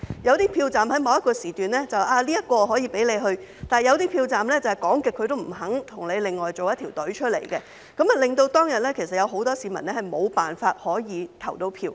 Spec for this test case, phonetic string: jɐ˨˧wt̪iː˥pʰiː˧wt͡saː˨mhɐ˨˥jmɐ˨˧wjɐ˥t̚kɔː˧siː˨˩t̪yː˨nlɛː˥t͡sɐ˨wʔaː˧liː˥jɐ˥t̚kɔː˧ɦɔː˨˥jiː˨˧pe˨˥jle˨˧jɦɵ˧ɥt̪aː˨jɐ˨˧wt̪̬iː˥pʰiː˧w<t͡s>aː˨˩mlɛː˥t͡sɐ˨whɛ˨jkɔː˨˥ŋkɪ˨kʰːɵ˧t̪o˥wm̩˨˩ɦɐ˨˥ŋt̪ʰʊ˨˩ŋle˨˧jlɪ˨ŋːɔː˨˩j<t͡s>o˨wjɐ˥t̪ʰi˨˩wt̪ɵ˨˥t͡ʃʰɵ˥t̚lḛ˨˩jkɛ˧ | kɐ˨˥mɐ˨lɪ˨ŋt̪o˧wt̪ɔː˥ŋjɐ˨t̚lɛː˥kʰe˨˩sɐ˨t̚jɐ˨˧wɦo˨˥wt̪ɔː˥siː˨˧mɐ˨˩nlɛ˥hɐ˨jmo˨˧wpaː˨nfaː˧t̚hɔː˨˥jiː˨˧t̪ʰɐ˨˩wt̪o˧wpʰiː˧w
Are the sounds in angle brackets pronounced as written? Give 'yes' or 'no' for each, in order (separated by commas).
yes, yes